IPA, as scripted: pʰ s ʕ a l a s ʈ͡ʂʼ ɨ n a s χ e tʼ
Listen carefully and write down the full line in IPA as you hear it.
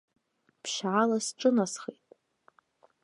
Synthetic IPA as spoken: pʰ ʃ ʕ a l a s ʈ͡ʂʼ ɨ n a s χ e tʼ